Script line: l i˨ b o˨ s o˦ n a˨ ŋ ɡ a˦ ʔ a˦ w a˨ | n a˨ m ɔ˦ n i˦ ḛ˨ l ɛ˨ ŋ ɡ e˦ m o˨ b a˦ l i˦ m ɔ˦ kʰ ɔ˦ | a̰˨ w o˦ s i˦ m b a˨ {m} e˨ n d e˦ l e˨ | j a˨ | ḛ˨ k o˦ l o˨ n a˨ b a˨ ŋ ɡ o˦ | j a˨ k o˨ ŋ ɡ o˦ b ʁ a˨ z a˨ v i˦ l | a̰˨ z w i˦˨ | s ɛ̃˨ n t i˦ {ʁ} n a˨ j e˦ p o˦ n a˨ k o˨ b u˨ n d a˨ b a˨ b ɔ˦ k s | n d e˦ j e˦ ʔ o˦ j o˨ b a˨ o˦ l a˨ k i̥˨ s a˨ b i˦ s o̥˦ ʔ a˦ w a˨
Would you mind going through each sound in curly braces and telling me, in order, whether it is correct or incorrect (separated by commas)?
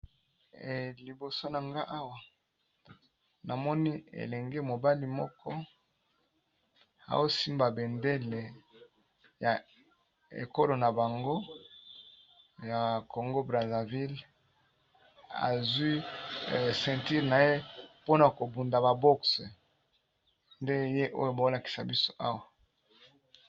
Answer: incorrect, correct